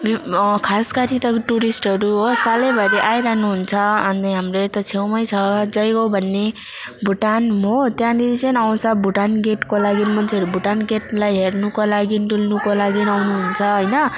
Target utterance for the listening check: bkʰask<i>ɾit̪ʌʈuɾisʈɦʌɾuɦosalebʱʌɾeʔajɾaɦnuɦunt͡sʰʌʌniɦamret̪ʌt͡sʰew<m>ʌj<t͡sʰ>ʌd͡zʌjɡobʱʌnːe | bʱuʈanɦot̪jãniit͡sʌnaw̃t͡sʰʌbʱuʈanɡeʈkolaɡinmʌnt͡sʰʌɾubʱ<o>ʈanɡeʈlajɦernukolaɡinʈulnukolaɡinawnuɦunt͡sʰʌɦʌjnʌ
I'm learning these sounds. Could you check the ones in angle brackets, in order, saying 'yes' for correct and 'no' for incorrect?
no, yes, yes, no

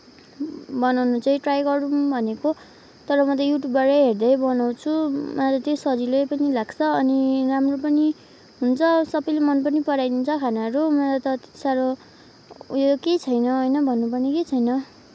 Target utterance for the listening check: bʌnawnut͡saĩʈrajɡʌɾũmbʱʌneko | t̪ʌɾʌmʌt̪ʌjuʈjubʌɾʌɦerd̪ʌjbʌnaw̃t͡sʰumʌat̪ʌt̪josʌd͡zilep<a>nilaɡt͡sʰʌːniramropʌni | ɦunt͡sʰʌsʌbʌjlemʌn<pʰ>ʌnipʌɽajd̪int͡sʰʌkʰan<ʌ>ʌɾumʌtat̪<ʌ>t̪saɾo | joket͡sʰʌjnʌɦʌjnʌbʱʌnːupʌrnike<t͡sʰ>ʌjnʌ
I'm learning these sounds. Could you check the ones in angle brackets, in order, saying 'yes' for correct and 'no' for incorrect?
no, no, no, yes, yes

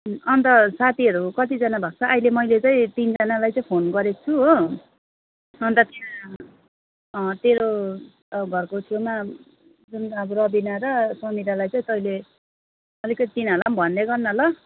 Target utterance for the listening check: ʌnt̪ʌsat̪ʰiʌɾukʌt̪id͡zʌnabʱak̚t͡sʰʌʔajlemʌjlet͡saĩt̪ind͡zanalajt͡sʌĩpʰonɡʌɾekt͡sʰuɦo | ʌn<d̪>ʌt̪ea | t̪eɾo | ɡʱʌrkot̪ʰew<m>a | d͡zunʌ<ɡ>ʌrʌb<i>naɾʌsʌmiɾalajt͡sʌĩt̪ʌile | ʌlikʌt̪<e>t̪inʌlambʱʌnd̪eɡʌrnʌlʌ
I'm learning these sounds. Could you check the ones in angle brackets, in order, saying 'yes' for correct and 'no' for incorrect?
no, yes, no, yes, no

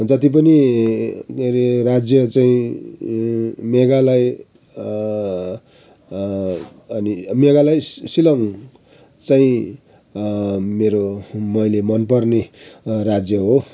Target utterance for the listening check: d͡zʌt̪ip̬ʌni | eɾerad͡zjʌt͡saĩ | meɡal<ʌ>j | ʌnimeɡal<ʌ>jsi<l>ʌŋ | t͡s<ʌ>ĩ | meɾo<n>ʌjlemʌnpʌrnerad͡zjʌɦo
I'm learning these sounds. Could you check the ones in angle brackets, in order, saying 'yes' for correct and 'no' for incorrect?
no, no, yes, no, no

